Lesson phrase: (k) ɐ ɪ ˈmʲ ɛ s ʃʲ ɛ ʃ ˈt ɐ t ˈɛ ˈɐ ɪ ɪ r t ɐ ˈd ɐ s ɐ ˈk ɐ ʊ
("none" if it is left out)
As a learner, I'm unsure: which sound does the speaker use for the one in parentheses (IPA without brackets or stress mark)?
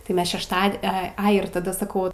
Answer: t